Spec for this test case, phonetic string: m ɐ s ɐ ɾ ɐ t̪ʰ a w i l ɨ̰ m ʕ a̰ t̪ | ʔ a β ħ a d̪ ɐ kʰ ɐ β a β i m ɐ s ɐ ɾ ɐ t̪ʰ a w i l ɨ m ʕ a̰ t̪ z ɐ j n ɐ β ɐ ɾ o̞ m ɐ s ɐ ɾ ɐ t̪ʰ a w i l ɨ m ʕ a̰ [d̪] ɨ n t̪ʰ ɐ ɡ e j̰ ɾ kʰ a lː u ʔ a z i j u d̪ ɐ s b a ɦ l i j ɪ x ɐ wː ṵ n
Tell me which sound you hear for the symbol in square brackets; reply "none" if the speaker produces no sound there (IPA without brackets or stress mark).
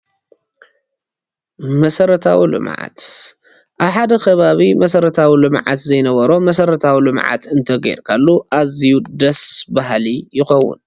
t̪